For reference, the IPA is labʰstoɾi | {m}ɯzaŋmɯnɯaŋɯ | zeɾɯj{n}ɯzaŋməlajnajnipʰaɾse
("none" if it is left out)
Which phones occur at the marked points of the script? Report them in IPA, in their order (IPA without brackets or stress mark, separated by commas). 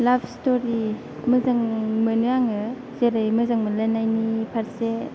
m, m